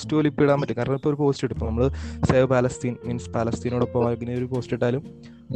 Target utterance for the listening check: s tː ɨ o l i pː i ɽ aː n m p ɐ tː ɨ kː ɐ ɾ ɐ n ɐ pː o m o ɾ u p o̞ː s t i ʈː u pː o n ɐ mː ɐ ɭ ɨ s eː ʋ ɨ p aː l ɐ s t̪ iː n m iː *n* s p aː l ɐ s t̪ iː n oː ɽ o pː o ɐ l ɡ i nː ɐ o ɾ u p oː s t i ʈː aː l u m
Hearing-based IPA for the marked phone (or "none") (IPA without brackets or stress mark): n